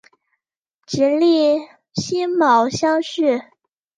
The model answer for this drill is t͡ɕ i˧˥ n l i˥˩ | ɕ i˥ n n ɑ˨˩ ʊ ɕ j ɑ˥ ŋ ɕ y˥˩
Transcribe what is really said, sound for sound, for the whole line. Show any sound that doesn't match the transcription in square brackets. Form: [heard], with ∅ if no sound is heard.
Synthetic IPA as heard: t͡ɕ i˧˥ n l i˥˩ | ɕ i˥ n [m] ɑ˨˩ ʊ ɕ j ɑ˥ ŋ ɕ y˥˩